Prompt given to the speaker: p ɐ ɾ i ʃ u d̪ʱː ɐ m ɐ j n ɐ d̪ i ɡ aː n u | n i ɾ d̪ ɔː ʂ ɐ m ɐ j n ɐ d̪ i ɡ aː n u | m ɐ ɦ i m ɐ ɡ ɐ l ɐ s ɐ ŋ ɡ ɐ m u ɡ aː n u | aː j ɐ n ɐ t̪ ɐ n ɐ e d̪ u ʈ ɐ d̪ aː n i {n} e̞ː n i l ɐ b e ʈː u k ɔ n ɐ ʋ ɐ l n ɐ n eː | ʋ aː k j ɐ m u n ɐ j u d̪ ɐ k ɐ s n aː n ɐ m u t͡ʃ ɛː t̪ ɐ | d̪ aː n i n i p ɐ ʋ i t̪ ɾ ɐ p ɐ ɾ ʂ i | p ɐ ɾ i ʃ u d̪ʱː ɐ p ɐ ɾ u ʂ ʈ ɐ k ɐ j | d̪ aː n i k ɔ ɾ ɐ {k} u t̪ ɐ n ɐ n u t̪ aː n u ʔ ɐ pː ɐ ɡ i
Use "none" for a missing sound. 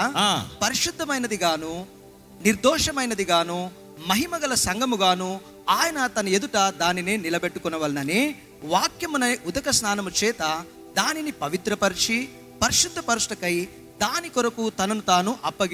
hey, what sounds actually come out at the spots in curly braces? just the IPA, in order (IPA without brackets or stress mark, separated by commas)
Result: n, k